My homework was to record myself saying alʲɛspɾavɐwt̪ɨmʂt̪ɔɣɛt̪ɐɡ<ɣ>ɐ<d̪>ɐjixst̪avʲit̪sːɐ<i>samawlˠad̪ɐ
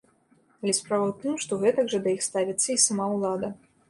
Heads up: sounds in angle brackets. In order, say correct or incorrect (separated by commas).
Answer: incorrect, correct, correct